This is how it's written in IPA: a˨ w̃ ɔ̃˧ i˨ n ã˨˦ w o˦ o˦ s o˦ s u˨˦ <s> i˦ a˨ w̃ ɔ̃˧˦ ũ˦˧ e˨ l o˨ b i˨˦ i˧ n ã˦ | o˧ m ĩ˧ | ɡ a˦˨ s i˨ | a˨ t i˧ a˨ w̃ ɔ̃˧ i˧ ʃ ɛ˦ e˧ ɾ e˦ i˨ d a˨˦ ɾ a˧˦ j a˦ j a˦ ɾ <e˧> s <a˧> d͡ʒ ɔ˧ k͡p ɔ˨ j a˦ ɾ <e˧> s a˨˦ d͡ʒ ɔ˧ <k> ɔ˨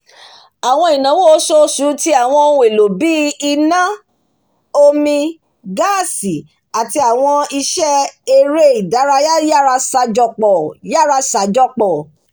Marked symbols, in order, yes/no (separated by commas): no, no, yes, no, no